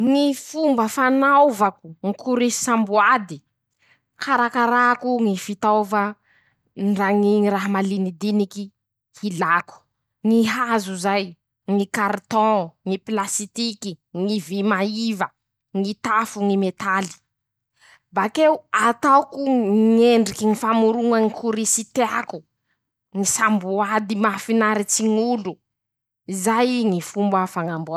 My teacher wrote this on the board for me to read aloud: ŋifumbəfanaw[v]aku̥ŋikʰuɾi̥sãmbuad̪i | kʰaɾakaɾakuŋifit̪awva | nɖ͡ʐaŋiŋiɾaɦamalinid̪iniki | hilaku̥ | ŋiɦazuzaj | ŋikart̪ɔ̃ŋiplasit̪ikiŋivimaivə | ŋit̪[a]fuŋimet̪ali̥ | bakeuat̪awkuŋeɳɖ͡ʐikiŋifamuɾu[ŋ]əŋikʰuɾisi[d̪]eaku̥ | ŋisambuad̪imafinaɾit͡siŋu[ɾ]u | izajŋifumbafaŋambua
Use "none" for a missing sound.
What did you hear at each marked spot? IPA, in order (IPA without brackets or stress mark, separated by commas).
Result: v, a, ŋ, t̪, l